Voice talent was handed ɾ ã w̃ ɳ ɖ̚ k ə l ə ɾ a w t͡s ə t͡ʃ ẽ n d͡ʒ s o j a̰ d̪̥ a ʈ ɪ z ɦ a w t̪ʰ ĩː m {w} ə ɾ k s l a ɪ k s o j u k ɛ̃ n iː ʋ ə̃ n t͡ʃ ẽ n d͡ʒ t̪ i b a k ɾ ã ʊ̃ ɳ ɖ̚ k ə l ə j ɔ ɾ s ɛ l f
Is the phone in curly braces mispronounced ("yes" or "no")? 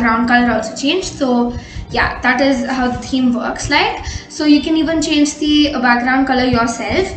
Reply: yes